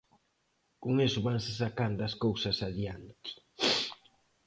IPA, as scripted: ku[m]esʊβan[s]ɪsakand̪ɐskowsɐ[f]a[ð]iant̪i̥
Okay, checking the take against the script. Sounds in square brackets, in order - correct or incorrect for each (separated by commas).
incorrect, correct, incorrect, correct